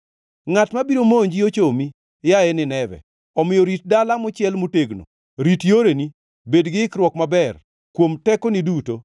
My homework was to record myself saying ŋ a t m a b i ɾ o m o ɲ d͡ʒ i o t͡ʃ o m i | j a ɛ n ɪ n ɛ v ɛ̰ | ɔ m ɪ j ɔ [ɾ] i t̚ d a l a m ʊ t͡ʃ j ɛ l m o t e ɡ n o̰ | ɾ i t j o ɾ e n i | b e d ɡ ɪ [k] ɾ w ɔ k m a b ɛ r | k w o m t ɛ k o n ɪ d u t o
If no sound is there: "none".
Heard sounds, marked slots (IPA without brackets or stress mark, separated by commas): ɾ, k